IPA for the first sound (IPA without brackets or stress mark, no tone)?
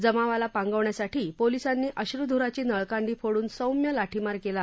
d͡z